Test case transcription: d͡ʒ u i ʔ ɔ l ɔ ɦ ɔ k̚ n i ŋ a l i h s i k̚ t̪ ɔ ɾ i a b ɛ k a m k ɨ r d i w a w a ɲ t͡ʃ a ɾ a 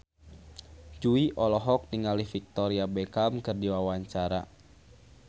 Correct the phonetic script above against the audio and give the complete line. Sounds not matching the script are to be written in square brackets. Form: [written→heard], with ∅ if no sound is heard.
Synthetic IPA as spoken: d͡ʒ u i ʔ ɔ l ɔ ɦ ɔ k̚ n i ŋ a l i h [s→f] i k̚ t̪ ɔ ɾ i a b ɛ k a m k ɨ r d i w a w a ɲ t͡ʃ a ɾ a